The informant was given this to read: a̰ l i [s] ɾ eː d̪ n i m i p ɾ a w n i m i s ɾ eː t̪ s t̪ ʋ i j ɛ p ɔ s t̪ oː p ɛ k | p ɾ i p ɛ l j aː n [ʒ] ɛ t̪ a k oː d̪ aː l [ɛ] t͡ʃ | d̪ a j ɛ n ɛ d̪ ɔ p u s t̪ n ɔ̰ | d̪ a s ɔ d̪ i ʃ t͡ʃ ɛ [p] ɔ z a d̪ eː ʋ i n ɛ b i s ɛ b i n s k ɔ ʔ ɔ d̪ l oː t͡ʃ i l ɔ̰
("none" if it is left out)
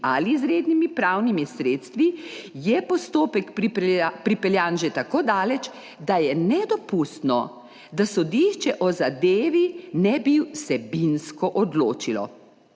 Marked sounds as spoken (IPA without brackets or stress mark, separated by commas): z, ʒ, ɛ, ʔ